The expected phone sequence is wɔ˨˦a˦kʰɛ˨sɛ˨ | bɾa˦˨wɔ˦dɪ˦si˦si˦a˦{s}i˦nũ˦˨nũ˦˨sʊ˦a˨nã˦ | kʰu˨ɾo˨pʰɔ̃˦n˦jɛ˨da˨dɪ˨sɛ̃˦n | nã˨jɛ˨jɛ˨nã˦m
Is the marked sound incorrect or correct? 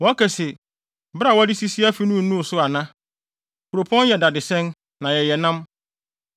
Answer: incorrect